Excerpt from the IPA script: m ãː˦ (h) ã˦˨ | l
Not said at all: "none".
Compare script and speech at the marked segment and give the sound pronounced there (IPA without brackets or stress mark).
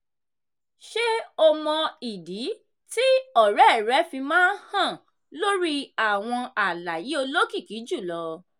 h